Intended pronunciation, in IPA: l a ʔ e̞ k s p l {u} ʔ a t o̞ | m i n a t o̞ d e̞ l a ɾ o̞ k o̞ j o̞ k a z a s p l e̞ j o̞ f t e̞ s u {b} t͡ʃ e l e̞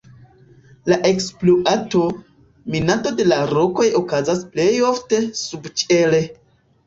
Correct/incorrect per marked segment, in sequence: incorrect: o, correct

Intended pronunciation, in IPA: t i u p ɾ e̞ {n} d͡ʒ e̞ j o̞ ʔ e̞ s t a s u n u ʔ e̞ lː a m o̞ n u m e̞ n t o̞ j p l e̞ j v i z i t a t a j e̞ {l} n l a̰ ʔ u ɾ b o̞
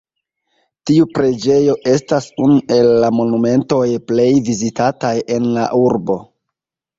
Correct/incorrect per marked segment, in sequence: incorrect: none, incorrect: none

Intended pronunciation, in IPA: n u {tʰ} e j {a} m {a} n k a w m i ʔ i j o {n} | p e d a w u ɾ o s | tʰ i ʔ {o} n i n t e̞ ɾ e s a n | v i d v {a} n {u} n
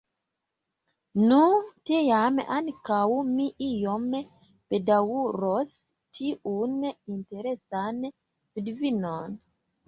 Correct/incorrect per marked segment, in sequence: incorrect: t, correct, correct, incorrect: m, incorrect: u, incorrect: i, incorrect: o

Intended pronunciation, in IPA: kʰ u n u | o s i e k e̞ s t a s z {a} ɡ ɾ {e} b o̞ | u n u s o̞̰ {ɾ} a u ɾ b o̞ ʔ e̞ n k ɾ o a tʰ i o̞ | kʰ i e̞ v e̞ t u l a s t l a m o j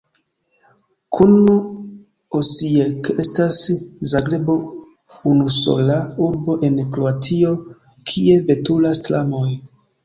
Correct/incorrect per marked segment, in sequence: correct, correct, incorrect: l

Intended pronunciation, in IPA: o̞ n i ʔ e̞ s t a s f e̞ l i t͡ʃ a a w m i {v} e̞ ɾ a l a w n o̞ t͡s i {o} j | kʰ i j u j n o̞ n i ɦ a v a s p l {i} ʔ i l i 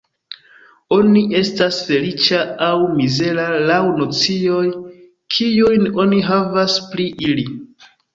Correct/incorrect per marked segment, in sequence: incorrect: z, correct, correct

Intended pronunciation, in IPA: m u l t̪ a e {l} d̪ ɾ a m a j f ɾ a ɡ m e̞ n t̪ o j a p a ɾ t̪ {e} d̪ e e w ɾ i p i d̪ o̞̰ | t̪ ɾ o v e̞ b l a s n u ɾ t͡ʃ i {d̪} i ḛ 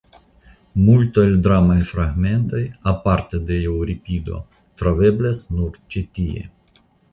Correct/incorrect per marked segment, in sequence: correct, correct, incorrect: t̪

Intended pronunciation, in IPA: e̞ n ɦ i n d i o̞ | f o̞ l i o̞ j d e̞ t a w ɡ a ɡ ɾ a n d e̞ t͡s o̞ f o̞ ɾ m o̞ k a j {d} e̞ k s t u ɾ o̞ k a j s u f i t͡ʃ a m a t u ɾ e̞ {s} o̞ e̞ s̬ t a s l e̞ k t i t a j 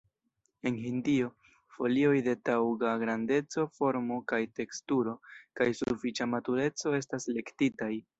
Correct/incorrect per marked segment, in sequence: incorrect: t, incorrect: t͡s

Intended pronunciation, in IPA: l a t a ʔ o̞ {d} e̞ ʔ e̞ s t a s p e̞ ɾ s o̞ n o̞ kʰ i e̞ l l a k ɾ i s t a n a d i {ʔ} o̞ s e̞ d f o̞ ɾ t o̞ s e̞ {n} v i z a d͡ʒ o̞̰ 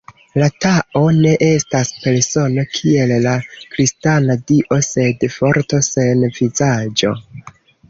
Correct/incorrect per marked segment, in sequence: incorrect: n, correct, correct

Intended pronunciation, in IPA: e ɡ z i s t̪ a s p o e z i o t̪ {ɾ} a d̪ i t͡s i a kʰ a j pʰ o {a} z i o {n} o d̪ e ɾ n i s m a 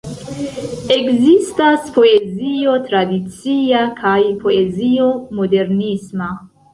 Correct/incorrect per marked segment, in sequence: correct, incorrect: e, incorrect: m

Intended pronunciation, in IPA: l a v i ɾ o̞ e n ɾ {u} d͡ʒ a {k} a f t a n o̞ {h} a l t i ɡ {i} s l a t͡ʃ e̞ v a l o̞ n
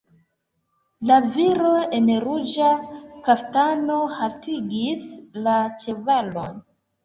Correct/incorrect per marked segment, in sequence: correct, correct, correct, correct

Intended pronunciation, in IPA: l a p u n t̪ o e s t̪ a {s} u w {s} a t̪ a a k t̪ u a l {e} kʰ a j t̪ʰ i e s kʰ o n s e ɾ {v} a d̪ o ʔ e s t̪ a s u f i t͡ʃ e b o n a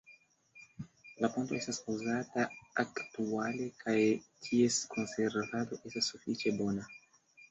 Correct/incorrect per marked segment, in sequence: correct, incorrect: z, correct, correct

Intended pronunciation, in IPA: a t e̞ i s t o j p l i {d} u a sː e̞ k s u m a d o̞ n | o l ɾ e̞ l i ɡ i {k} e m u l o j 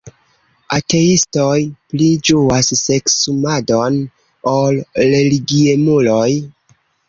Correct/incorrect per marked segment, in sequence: incorrect: d͡ʒ, incorrect: none

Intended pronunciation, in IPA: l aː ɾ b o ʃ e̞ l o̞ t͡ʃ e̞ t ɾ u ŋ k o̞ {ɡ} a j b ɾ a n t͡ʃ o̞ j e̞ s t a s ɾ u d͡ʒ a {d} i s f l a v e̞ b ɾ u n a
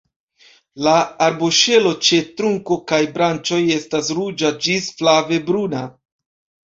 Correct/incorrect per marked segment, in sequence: incorrect: k, incorrect: d͡ʒ

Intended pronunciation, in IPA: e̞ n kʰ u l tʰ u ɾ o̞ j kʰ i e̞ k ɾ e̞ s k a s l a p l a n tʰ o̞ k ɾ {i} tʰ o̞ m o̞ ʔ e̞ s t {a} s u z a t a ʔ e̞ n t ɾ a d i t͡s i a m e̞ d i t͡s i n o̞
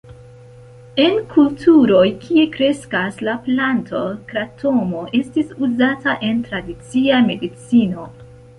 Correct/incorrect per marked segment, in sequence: incorrect: a, incorrect: i

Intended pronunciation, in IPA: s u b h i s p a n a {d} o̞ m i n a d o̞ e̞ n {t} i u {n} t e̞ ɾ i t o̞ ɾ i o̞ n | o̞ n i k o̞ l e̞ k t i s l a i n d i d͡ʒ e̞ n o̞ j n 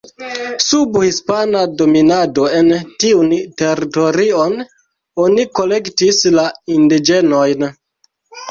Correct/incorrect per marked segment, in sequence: correct, correct, correct

